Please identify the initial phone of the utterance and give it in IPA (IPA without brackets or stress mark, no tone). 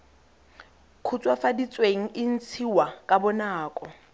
kʰ